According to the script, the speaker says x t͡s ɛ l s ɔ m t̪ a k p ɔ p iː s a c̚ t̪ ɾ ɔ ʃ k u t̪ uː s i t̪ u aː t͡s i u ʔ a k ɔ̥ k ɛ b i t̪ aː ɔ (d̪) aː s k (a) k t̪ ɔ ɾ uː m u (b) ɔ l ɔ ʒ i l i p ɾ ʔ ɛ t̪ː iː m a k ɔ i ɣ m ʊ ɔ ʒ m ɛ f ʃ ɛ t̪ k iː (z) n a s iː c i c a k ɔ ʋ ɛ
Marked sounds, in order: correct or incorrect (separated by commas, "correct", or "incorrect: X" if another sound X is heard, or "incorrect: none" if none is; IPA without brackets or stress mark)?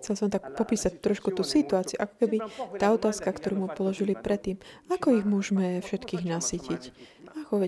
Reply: incorrect: t̪, correct, incorrect: p, incorrect: ɣ